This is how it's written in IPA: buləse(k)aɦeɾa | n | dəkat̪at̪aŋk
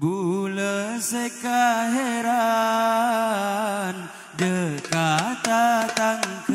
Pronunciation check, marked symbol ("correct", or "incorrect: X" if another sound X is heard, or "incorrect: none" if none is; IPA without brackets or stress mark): correct